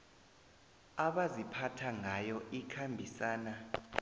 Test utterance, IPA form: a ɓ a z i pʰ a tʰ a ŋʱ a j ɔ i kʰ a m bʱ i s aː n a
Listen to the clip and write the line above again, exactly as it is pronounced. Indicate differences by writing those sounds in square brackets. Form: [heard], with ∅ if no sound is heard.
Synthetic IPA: a ɓ a z i pʰ a tʰ a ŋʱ a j ɔ i kʰ a m bʱ i s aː n a